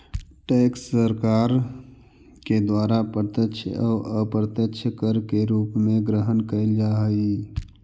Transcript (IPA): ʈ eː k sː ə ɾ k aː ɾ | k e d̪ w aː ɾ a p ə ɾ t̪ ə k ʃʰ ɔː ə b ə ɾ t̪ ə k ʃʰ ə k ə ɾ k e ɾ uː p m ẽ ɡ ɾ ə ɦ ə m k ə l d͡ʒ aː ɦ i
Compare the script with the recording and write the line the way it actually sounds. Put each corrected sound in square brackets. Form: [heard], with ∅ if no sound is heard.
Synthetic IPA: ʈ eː k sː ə ɾ k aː ɾ | k e d̪ w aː ɾ a p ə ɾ t̪ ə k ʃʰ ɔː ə [p] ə ɾ t̪ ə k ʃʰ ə k ə ɾ k e ɾ uː p m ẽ ɡ ɾ ə ɦ ə [n] k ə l d͡ʒ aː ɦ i

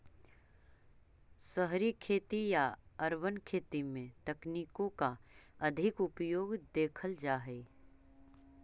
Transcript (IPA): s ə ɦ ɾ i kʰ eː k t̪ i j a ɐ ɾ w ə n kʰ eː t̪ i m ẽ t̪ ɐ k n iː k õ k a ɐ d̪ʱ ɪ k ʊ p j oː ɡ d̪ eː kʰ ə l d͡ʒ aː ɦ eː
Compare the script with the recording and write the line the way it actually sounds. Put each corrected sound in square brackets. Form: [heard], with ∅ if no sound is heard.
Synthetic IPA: s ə ɦ ɾ i kʰ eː [∅] t̪ i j a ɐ ɾ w ə n kʰ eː t̪ i m ẽ t̪ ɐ k n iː k õ k a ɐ d̪ʱ ɪ k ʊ p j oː ɡ d̪ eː kʰ ə l d͡ʒ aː ɦ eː

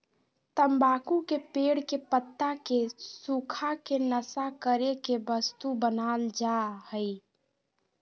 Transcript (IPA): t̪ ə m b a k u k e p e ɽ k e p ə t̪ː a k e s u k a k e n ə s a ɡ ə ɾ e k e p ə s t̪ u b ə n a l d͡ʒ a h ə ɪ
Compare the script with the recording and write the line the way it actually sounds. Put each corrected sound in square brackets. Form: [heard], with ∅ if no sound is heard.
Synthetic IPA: t̪ ə m b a k u k e p e ɽ k e p ə t̪ː a k e s u [kʰ] a k e n ə s a [k] ə ɾ e k e [b] ə s t̪ u b ə n a l d͡ʒ a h ə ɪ

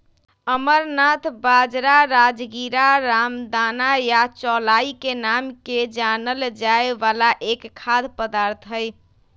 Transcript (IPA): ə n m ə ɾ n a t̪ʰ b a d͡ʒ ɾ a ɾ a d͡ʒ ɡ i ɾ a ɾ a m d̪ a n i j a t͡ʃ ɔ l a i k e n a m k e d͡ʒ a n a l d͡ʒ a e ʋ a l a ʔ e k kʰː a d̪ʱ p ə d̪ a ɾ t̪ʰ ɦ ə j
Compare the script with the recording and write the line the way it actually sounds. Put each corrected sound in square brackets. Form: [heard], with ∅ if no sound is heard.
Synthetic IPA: ə [∅] m ə ɾ n a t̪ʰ b a d͡ʒ ɾ a ɾ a d͡ʒ ɡ i ɾ a ɾ a m d̪ a n [a] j a t͡ʃ ɔ l a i k e n a m k e d͡ʒ a n [ə] l d͡ʒ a e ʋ a l a ʔ e k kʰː a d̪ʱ p ə d̪ a ɾ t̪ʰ ɦ ə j

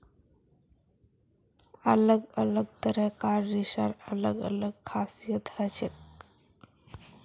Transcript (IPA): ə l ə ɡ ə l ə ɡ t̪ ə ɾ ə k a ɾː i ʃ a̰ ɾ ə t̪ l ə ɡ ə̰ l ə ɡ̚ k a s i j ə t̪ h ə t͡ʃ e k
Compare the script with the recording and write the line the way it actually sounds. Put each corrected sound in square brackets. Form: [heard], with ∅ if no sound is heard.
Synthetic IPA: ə l ə ɡ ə l ə ɡ t̪ ə ɾ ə k a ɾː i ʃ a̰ ɾ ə [∅] l ə ɡ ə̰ l ə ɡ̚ [kʰ] a s i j ə t̪ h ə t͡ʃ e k

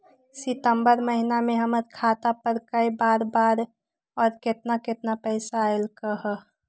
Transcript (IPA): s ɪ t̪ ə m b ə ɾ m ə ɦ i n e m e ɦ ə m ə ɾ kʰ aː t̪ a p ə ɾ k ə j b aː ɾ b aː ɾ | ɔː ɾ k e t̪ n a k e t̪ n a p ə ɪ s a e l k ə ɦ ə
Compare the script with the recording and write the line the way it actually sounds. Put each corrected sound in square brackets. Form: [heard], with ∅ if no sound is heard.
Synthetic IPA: s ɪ t̪ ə m b ə ɾ m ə ɦ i n [a] m e ɦ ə m ə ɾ kʰ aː t̪ a p ə ɾ k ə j b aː ɾ b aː ɾ | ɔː ɾ k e t̪ n a k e t̪ n a p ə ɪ s a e l k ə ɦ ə

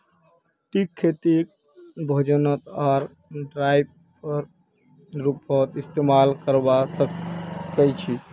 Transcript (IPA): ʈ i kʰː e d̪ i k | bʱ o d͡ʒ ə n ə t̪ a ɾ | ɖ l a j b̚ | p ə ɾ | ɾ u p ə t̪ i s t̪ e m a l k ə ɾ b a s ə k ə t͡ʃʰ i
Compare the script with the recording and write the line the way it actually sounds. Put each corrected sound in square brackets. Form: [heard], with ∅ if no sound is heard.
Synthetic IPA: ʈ i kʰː e [t̪] i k | bʱ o d͡ʒ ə n ə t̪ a ɾ | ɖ [ɾ] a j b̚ | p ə ɾ | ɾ u p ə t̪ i s t̪ e m a l k ə ɾ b a s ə k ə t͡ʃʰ i

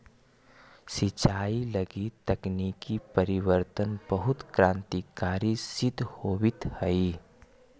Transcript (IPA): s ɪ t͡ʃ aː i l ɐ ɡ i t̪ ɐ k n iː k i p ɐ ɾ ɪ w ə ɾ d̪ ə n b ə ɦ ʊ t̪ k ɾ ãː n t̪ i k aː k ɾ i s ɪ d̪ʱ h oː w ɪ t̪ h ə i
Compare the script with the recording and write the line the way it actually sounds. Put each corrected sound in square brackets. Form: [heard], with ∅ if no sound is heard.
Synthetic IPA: s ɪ t͡ʃ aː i l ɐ ɡ i t̪ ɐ k n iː k i p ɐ ɾ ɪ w ə ɾ [t̪] ə n b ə ɦ ʊ t̪ k ɾ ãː n t̪ i k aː [∅] ɾ i s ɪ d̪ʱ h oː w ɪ t̪ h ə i

